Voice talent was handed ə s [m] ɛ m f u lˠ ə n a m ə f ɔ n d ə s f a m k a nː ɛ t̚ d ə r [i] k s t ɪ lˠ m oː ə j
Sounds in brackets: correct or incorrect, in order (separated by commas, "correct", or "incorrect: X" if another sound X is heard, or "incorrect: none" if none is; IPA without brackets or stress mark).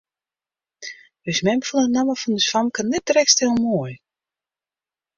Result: correct, incorrect: ɛ